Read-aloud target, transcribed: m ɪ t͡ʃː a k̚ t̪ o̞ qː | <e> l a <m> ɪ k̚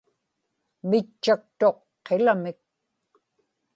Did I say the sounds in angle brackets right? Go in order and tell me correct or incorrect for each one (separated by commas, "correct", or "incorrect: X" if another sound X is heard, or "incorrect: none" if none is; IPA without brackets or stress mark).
correct, correct